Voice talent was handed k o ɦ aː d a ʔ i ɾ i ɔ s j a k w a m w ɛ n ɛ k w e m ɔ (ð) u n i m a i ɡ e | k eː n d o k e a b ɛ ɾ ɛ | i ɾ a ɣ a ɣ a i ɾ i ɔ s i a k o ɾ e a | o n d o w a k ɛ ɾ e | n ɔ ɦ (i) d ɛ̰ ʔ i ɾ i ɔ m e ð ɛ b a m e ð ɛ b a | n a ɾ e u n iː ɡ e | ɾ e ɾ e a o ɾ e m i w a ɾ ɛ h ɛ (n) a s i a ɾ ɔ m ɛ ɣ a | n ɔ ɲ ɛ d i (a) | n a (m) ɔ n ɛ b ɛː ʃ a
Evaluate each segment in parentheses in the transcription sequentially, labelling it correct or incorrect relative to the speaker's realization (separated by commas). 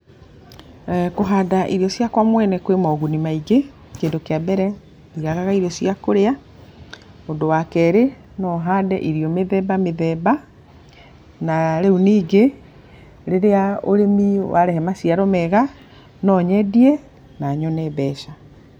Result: incorrect, incorrect, incorrect, incorrect, incorrect